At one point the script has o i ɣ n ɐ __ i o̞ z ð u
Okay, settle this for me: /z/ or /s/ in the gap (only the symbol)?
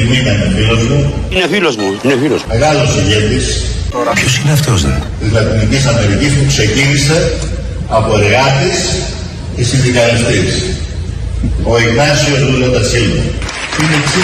s